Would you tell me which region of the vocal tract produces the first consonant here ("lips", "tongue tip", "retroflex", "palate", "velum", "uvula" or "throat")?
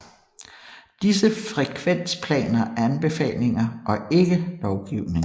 tongue tip